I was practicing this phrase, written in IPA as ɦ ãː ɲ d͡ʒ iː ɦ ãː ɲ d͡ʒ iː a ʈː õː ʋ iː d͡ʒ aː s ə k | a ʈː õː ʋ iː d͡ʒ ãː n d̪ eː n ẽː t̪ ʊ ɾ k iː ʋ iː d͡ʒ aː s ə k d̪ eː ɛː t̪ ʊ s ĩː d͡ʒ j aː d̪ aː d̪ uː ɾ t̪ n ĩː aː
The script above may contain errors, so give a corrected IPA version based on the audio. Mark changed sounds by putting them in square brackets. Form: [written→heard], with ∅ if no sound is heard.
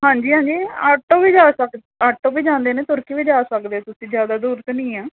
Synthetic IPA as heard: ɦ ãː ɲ d͡ʒ iː ɦ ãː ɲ d͡ʒ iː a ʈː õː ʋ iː d͡ʒ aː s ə k | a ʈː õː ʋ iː d͡ʒ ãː n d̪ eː n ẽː t̪ ʊ ɾ k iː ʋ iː d͡ʒ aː s ə k d̪ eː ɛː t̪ ʊ s ĩː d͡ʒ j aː d̪ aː d̪ uː ɾ t̪ n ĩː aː